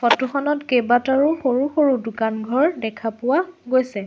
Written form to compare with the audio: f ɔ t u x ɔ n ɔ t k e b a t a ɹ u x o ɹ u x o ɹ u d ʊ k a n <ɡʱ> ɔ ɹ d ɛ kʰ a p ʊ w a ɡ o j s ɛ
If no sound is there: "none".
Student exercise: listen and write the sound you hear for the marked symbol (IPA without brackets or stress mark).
ɡʱ